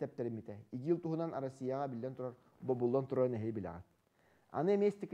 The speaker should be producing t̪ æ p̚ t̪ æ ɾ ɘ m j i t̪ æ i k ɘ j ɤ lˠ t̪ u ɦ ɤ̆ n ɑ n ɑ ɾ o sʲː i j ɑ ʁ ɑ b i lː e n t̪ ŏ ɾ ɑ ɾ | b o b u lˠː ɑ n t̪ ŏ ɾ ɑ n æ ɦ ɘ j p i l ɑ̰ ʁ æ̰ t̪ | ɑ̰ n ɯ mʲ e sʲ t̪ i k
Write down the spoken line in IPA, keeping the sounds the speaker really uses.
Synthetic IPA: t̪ æ p̚ t̪ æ ɾ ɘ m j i t̪ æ i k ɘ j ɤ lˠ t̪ u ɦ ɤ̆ n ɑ n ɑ ɾ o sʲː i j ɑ ʁ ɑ b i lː æ n t̪ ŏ ɾ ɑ ɾ | b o b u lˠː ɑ n t̪ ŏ ɾ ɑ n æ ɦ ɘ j b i l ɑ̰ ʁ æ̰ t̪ | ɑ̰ n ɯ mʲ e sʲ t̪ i k